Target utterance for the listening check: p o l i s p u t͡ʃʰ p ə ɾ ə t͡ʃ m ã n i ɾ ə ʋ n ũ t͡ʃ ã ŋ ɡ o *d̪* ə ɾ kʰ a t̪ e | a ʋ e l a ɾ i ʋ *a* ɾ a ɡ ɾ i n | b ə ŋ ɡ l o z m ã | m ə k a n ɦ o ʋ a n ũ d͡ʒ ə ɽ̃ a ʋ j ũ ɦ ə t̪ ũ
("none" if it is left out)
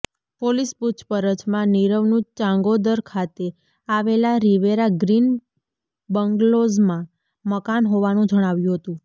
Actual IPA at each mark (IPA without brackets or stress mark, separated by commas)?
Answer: d̪, e